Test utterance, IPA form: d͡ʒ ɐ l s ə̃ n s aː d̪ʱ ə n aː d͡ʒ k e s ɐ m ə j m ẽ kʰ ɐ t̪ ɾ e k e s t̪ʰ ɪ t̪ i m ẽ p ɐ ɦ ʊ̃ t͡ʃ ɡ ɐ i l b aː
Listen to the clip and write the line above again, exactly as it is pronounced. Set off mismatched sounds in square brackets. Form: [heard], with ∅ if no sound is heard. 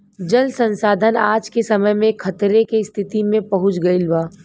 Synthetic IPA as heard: d͡ʒ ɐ l s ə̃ n s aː d̪ʱ ə n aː d͡ʒ k e s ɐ m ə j m ẽ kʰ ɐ t̪ ɾ e k e s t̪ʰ ɪ t̪ i m ẽ p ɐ ɦ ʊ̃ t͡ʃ ɡ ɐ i l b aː